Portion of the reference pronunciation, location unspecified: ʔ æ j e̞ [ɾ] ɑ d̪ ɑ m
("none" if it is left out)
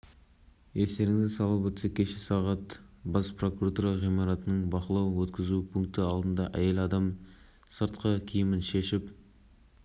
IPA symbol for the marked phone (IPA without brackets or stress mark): l